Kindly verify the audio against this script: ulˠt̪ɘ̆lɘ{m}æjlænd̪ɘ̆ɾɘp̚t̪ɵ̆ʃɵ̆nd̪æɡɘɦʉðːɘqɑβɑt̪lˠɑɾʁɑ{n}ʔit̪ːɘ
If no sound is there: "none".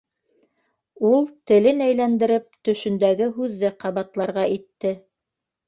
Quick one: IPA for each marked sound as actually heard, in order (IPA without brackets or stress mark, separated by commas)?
n, none